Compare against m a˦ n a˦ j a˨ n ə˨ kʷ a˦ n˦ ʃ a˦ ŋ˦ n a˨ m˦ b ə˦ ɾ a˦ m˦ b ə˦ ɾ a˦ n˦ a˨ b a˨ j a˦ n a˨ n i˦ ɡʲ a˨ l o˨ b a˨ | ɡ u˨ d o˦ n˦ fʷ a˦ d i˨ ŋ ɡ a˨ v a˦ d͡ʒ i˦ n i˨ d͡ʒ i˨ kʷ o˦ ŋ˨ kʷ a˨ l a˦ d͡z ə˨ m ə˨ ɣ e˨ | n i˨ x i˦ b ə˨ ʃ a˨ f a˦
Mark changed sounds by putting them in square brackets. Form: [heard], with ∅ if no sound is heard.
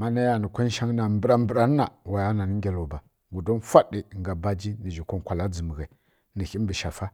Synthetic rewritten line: m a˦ n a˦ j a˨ n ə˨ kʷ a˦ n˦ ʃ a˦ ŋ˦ n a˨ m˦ b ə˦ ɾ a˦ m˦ b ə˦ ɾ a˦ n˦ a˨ [w] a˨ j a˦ n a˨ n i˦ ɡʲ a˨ l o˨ b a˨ | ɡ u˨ d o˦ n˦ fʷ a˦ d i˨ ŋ ɡ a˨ [b] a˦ d͡ʒ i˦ n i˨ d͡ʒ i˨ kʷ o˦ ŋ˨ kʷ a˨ l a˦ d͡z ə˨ m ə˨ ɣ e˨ | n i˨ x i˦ b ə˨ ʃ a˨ f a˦